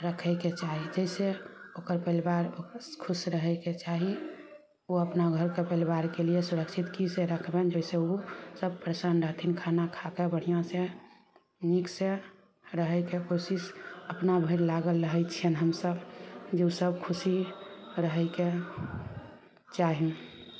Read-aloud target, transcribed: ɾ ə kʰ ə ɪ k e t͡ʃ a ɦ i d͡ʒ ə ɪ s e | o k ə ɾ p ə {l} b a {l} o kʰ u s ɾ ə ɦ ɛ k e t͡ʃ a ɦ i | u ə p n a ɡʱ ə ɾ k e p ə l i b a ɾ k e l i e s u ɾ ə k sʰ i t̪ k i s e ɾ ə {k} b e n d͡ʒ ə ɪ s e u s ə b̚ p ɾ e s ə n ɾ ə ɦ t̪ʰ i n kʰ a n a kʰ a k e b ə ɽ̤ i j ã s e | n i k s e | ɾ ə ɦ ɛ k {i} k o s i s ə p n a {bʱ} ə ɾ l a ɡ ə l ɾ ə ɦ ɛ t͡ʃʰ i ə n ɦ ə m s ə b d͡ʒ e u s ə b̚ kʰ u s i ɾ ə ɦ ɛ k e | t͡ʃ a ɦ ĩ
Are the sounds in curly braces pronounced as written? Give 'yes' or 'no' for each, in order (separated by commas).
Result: yes, no, no, no, yes